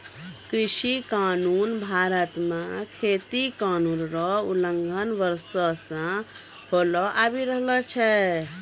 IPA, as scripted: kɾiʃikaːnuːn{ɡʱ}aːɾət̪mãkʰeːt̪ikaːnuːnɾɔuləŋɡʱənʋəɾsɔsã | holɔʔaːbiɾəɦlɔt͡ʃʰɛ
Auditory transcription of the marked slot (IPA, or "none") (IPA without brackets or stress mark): bʱ